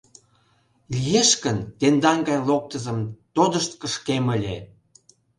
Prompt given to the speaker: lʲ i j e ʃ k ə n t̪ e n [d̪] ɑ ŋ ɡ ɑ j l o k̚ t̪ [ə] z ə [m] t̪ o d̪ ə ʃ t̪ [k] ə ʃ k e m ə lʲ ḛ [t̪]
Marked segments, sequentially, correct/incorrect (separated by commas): correct, correct, correct, correct, incorrect